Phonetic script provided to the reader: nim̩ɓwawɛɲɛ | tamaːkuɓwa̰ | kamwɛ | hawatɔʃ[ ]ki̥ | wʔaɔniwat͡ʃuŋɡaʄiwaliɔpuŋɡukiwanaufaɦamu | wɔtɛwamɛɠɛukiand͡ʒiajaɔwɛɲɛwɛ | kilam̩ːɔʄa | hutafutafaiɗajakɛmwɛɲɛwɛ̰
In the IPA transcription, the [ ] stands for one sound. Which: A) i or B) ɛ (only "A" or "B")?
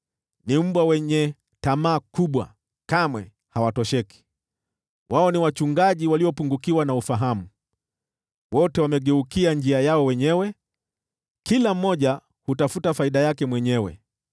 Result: B